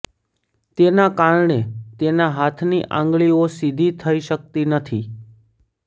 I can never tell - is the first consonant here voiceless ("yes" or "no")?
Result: yes